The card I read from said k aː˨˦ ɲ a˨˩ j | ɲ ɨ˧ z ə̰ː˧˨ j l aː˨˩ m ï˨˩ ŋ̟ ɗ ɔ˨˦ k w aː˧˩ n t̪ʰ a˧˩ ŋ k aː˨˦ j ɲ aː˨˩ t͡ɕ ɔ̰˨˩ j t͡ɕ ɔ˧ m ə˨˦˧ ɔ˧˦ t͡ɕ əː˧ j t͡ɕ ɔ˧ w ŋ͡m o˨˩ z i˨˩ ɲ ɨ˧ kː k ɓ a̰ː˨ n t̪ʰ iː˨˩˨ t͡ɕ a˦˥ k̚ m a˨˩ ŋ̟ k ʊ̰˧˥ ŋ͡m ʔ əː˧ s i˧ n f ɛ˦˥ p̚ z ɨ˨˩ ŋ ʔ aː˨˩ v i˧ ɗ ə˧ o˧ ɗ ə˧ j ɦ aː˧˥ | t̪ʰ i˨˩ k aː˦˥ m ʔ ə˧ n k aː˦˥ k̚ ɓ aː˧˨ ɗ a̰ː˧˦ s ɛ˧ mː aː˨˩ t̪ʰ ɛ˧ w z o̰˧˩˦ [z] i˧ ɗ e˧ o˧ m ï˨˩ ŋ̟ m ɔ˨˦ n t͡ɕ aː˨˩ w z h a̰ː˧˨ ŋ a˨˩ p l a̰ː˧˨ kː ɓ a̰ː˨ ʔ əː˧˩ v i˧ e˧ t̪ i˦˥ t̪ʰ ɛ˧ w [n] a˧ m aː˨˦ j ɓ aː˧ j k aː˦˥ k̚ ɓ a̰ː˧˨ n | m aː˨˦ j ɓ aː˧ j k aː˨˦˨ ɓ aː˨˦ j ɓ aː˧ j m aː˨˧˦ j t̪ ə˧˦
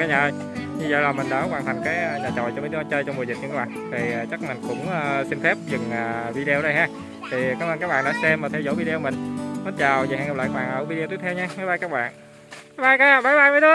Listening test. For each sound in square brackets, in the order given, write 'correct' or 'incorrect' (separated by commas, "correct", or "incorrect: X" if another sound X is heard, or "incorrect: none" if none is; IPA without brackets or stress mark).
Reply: incorrect: v, incorrect: ɲ